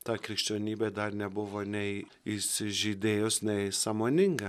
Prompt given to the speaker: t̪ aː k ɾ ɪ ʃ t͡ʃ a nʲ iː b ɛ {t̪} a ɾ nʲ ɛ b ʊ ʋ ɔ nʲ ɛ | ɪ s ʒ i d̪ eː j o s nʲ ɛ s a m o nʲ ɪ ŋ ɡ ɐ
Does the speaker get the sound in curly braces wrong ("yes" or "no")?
yes